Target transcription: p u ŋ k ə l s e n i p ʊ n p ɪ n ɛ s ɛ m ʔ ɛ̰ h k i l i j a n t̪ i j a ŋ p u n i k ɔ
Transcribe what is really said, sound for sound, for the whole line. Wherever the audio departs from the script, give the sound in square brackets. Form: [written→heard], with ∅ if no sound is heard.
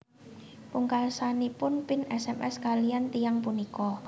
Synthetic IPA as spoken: p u ŋ k [ə→a] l s [e→a] n i p ʊ n p ɪ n ɛ s ɛ m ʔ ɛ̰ [h→s] k [i→a] l i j a n t̪ i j a ŋ p u n i k ɔ